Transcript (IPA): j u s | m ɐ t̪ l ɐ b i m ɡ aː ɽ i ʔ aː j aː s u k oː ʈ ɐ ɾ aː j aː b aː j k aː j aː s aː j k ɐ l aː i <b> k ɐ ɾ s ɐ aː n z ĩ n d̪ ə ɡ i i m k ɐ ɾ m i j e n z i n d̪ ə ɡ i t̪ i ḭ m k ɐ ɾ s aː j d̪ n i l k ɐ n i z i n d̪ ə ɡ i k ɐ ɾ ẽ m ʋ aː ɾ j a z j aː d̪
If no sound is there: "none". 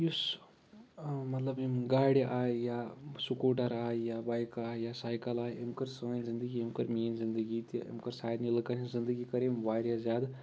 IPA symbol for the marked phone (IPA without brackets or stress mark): m